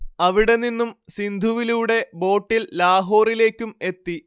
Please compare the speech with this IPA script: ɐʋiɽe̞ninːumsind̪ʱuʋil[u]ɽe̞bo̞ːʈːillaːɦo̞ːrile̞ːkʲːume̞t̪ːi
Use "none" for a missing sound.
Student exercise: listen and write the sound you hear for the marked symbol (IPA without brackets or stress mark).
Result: uː